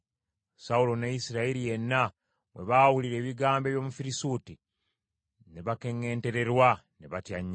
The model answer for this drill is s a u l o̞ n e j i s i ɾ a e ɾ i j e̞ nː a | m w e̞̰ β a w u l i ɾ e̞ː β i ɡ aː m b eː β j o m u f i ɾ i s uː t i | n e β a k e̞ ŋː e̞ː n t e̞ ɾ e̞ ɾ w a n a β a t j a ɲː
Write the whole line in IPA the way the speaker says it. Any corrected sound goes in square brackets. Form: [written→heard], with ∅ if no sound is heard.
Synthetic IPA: s a u l o̞ n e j i s i ɾ a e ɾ i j e̞ nː a | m w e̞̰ β a w u l i ɾ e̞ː β i ɡ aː m b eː β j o m u f i ɾ i s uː t i | n e β a k e̞ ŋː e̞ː n t e̞ ɾ e̞ ɾ w a n [a→e] β a t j a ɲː